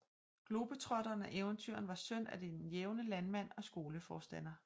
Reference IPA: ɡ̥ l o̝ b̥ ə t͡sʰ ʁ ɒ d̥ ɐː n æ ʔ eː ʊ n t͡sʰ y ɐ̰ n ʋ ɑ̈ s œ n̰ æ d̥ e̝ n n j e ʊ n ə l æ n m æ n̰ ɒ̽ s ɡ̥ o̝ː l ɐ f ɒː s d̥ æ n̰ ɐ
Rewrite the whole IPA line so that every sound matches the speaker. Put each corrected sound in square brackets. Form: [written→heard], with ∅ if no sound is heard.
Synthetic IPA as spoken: ɡ̥ l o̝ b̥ ə t͡sʰ ʁ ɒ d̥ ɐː n æ ʔ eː ʊ n t͡sʰ y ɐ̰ n ʋ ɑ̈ s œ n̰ æ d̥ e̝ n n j e ʊ n ə l æ n m æ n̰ ɒ̽ s ɡ̥ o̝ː l [ɐ→ə] f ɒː s d̥ æ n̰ ɐ